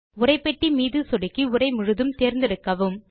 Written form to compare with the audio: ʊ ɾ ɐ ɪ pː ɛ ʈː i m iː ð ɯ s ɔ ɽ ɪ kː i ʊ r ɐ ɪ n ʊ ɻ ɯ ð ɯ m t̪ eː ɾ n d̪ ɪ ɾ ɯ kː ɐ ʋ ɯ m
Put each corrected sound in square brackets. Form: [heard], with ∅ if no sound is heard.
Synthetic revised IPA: ʊ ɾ ɐ ɪ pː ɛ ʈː i m iː ð ɯ s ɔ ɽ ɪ kː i ʊ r ɐ ɪ [m] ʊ ɻ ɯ ð ɯ m t̪ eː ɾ n d̪ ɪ ɾ ɯ kː ɐ ʋ ɯ m